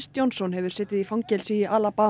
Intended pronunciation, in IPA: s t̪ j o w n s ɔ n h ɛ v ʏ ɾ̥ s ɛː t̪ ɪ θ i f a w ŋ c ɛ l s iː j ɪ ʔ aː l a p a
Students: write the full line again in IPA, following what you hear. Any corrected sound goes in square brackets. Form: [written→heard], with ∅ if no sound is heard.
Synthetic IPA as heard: s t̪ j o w n s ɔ n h ɛ v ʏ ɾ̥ s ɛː t̪ ɪ [θ→ð] i f a w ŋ c ɛ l s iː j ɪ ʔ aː l a p a